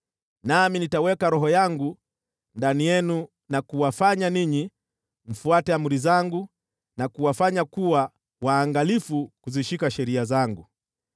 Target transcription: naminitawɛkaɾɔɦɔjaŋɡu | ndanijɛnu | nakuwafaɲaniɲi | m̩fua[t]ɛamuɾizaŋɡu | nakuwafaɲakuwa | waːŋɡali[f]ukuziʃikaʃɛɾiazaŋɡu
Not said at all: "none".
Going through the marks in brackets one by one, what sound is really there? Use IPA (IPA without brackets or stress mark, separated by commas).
t, f